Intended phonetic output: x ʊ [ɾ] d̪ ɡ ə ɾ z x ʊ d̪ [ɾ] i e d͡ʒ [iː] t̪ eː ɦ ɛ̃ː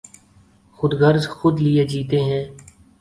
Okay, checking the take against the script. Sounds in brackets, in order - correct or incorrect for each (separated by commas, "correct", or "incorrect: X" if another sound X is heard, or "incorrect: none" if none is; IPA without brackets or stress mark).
incorrect: none, incorrect: l, correct